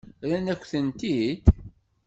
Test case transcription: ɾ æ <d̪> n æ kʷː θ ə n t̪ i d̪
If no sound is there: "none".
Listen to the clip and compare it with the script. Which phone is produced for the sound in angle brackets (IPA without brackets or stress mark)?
none